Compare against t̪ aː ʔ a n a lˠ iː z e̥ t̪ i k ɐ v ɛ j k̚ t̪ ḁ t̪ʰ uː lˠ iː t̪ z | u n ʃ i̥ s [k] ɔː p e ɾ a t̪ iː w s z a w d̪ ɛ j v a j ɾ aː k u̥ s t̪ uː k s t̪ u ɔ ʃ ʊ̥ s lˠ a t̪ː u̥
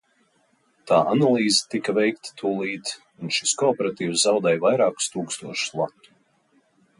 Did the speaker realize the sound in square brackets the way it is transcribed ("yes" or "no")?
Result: yes